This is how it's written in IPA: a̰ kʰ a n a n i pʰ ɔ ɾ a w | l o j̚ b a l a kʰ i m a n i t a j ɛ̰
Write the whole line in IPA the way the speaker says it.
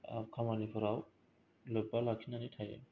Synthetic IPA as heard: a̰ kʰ a m a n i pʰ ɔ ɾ a w | l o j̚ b a l a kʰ i n a n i tʰ a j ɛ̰